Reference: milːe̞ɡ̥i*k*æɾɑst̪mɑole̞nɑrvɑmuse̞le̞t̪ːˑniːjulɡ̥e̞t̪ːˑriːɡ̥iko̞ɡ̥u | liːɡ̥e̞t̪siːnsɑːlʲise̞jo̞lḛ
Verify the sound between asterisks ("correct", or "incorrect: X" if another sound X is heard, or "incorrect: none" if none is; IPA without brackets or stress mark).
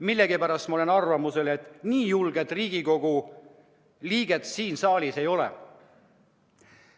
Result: incorrect: p